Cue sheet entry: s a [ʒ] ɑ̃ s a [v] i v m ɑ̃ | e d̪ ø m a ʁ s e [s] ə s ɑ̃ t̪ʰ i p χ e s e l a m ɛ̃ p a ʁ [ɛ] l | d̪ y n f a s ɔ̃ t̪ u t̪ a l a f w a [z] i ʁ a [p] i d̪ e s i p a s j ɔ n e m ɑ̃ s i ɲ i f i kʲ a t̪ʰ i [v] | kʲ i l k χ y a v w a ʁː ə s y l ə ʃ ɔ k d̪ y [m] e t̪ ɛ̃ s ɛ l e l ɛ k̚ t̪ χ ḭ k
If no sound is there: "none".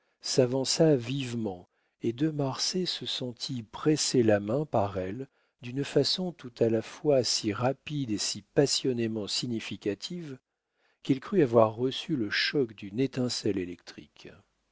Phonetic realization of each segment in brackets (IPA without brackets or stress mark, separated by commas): v, v, s, ɛ, s, p, v, n